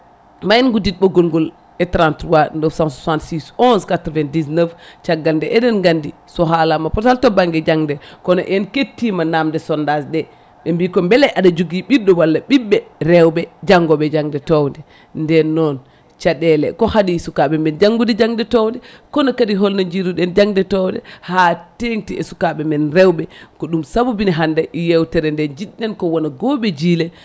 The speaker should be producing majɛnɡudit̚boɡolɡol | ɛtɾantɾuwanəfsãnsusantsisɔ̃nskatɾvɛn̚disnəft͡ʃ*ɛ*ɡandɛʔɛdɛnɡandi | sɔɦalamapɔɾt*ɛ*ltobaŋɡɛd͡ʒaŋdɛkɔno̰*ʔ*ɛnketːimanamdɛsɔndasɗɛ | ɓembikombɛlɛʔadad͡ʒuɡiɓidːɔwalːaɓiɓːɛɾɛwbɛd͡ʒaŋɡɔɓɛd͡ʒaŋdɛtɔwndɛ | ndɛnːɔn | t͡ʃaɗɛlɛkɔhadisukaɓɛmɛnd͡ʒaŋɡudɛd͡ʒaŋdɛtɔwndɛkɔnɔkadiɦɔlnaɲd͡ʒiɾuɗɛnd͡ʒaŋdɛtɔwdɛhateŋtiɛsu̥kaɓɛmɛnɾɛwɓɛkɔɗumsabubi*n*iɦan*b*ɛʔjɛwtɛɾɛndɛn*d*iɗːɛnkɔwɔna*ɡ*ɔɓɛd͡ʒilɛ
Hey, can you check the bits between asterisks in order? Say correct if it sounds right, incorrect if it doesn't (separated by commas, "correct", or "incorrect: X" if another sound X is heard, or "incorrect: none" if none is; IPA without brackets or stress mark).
incorrect: a, incorrect: a, correct, correct, incorrect: d, incorrect: d͡ʒ, correct